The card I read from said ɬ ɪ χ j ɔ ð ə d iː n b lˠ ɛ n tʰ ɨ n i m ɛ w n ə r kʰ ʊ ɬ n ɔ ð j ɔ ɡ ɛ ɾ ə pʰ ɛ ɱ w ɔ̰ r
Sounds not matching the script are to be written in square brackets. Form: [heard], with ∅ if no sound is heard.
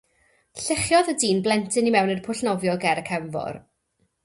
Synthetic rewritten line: ɬ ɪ χ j ɔ ð ə d iː n b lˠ ɛ n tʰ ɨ n i m ɛ w n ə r [pʰ] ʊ ɬ n ɔ [v] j ɔ ɡ ɛ ɾ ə [kʰ] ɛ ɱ [v] ɔ̰ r